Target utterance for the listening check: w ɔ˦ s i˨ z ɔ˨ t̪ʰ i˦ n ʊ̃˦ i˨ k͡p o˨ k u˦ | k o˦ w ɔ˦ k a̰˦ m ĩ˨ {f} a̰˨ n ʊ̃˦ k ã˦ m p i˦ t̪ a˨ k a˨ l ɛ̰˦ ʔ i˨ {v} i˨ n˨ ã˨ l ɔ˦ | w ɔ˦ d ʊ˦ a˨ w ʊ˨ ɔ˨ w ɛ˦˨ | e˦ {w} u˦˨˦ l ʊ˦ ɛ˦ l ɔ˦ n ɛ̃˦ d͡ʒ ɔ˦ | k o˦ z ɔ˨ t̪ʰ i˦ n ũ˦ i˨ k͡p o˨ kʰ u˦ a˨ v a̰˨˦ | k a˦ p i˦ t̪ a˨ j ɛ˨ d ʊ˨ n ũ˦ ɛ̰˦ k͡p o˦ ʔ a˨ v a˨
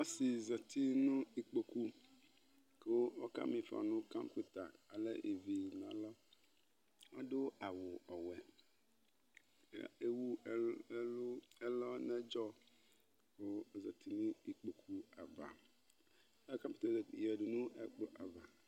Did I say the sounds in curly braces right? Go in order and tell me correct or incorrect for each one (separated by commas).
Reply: correct, correct, correct